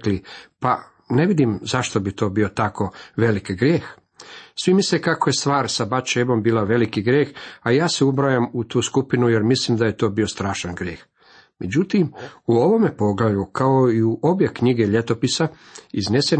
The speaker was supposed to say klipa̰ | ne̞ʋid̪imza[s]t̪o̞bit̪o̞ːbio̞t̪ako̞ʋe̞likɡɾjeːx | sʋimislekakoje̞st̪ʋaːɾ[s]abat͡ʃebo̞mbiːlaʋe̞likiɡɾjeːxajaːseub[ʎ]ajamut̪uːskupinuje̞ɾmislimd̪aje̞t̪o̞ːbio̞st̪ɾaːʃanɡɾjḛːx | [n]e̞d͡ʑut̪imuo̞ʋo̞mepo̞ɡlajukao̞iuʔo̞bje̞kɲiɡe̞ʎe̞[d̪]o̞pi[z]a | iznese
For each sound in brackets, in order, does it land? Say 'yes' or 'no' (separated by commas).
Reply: no, yes, no, no, no, no